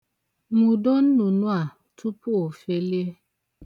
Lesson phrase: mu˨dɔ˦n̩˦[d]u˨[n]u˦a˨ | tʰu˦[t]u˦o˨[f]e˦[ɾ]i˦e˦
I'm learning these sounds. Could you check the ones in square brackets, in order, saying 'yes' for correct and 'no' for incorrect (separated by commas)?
no, yes, no, yes, no